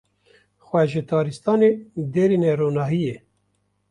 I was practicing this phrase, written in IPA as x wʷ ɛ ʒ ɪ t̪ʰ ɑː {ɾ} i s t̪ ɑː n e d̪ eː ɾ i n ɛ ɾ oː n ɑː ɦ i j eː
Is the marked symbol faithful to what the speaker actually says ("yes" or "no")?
yes